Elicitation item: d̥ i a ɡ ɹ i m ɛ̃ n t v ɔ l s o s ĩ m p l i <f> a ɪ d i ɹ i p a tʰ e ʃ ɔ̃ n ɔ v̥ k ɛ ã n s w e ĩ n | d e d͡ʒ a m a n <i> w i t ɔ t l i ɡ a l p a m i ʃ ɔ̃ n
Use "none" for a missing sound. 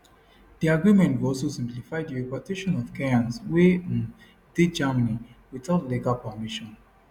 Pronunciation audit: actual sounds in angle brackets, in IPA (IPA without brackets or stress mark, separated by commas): f, i